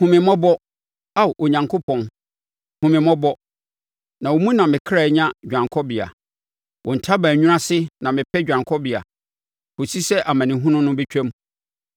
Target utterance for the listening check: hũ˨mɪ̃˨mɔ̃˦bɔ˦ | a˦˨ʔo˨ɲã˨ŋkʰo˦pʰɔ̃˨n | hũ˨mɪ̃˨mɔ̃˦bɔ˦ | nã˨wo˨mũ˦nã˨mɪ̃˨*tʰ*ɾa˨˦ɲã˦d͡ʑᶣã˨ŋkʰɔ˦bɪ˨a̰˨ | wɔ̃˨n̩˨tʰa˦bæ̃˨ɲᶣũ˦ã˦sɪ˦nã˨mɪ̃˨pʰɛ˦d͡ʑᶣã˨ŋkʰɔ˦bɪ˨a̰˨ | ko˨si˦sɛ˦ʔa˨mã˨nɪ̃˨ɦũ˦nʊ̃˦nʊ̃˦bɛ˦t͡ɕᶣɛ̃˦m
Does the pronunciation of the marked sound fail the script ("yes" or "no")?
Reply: yes